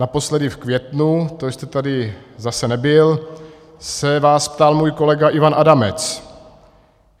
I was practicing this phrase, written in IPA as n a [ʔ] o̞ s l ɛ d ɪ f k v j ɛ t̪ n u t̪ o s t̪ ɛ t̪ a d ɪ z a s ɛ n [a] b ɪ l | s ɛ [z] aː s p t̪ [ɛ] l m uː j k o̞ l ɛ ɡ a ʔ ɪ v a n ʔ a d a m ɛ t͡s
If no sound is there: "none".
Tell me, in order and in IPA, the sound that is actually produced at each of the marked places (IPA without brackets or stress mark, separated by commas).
p, ɛ, v, a